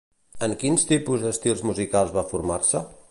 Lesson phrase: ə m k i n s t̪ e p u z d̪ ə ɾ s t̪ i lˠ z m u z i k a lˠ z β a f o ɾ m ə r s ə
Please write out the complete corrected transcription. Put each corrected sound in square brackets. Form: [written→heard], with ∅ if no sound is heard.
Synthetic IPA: ə [m→ŋ] k i n s t̪ [e→i] p u z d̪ ə [ɾ→∅] s t̪ i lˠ z m u z i k a lˠ z β a f [o→u] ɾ m [ə→a] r s ə